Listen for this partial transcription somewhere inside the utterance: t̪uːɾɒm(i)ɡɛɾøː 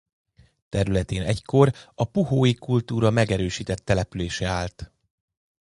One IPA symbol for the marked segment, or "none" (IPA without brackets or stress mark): ɛ